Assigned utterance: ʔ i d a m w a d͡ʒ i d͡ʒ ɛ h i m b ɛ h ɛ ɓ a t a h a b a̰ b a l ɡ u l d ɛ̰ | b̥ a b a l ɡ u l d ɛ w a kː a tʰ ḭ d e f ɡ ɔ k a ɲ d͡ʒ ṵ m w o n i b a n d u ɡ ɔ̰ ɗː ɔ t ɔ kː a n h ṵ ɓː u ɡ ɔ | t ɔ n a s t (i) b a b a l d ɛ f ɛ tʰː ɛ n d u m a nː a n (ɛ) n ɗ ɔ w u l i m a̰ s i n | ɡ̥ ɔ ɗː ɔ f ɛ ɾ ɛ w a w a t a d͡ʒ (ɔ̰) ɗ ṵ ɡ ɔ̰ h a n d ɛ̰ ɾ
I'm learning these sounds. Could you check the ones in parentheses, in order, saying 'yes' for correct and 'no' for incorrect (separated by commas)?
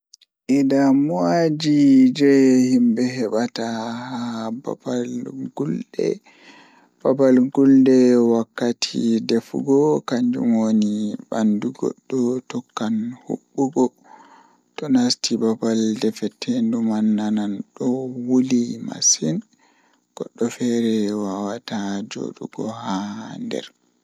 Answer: yes, no, no